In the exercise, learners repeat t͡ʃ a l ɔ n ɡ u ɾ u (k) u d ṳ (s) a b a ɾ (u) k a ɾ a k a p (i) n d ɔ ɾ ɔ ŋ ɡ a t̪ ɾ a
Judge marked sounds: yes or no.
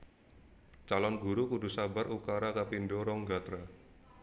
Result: yes, yes, yes, yes

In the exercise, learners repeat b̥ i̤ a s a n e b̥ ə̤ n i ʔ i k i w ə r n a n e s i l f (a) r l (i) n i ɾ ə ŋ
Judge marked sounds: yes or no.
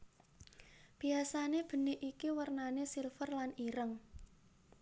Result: no, no

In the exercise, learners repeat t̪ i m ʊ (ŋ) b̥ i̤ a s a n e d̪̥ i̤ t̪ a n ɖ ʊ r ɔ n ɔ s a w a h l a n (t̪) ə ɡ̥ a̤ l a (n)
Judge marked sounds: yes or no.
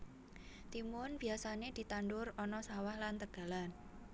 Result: no, yes, yes

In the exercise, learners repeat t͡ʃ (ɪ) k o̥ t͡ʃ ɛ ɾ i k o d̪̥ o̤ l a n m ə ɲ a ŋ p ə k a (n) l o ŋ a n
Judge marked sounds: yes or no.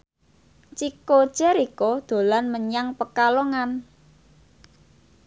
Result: no, no

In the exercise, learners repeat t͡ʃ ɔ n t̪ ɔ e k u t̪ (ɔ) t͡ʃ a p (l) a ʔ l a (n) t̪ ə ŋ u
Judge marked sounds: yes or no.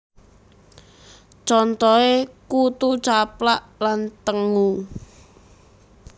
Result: no, yes, yes

